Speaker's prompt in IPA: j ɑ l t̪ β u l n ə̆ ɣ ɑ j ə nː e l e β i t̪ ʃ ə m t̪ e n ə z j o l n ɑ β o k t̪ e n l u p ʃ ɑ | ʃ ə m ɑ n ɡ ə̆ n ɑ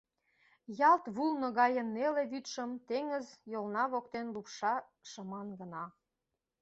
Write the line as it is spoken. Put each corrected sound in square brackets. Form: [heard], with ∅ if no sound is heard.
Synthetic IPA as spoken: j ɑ l t̪ β u l n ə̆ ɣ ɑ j ə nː e l e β [y] t̪ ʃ ə m t̪ e [ŋ] ə z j o l n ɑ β o k t̪ e n l u p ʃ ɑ | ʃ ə m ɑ n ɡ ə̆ n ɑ